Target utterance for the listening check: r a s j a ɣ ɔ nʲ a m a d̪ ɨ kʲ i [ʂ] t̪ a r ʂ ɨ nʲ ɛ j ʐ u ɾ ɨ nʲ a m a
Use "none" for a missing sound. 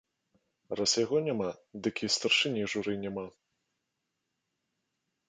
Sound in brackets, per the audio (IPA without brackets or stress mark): s